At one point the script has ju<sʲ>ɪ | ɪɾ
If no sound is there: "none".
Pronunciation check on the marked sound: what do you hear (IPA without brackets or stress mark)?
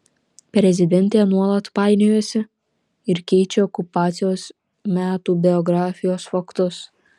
sʲ